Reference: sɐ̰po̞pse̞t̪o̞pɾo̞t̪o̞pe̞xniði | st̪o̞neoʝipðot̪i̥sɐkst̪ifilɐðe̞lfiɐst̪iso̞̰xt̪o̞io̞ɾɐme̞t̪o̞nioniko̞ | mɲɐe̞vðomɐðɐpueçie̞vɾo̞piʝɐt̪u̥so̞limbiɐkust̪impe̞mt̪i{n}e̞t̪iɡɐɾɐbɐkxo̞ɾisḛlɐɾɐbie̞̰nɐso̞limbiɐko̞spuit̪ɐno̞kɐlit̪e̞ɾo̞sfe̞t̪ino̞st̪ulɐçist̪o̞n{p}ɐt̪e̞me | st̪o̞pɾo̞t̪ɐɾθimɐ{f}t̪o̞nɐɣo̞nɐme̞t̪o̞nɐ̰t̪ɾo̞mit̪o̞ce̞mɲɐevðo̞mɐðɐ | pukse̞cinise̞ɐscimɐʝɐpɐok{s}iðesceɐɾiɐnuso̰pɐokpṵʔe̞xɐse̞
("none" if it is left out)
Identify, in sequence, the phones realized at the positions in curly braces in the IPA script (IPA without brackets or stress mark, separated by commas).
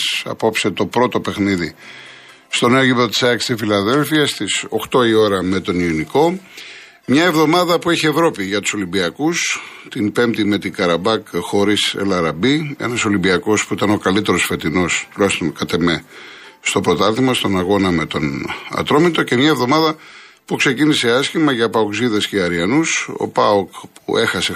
m, k, s, z